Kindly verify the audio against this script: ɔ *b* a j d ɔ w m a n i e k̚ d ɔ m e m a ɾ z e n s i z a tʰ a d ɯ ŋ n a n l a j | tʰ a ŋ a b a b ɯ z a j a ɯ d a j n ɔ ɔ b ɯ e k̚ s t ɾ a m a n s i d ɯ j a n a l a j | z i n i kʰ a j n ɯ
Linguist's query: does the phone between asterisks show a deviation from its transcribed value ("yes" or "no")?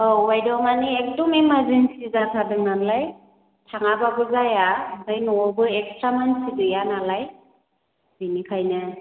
yes